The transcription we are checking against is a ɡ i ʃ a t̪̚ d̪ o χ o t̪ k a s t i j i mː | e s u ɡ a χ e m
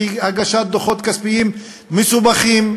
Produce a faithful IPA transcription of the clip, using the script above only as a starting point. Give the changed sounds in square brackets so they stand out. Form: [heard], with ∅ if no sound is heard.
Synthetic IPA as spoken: a ɡ [a] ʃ a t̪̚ d̪ o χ o t̪ k a s [p] i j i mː | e s u [b] a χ [i] m